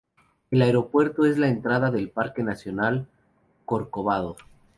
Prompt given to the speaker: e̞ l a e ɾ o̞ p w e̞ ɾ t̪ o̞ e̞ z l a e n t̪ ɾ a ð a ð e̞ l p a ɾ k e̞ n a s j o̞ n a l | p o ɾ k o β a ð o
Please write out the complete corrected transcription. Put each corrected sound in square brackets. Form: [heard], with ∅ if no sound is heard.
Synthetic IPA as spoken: e̞ l a e ɾ o̞ p w e̞ ɾ t̪ o̞ e̞ z l a e n t̪ ɾ a ð a ð e̞ l p a ɾ k e̞ n a s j o̞ n a l | [k] o ɾ k o β a ð o